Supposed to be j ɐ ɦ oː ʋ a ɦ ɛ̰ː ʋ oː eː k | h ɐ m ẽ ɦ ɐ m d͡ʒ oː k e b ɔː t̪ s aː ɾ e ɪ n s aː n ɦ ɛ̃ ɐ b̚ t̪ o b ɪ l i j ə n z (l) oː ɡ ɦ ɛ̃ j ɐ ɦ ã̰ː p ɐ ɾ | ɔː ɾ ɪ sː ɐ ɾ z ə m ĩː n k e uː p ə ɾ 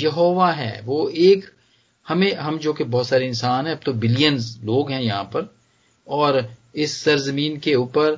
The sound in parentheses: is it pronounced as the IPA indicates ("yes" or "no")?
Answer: yes